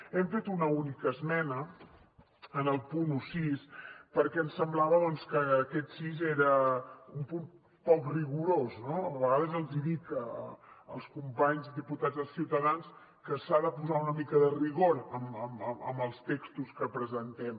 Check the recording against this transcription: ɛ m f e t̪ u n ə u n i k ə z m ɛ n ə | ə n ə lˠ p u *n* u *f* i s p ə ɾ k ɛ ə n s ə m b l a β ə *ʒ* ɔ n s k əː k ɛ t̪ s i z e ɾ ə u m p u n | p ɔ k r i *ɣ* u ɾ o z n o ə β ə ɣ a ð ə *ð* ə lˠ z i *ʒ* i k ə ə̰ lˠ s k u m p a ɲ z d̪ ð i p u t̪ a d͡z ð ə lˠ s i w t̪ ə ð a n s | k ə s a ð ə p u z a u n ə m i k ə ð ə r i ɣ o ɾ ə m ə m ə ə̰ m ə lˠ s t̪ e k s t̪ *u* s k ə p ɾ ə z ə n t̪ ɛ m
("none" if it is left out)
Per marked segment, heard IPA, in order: n, s, ð, ɣ, z, ð, u

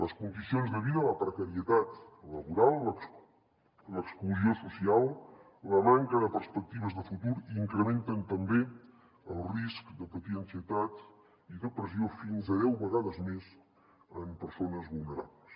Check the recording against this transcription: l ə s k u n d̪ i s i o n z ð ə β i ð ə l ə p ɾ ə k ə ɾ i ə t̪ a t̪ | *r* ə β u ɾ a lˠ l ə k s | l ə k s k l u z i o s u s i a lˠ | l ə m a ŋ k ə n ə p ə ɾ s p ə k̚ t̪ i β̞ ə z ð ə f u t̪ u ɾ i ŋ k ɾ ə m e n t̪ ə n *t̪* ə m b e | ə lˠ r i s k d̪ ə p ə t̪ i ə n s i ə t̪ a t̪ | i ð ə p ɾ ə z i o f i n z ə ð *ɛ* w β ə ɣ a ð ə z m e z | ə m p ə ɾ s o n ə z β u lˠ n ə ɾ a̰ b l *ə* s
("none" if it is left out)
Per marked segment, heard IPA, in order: l, t̪, ɛ, ə

